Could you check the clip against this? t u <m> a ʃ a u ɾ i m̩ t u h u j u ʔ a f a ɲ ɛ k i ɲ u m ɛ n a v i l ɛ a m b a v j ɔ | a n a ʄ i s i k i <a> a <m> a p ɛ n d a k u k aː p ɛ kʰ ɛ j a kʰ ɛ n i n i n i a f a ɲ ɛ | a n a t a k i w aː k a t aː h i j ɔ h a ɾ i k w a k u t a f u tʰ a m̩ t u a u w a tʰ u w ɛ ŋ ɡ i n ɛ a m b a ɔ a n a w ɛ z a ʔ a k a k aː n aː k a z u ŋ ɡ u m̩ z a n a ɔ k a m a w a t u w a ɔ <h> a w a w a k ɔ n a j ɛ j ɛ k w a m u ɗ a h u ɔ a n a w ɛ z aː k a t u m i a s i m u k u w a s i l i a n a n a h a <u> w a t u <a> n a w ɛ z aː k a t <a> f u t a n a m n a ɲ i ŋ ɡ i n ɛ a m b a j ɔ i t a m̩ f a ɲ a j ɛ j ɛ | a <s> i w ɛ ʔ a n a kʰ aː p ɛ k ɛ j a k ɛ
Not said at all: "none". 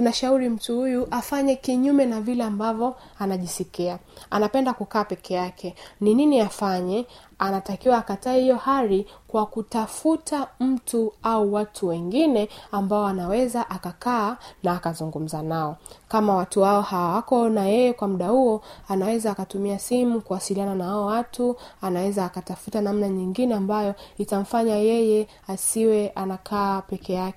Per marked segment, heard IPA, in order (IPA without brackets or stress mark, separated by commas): n, a, n, h, ɔ, a, a, s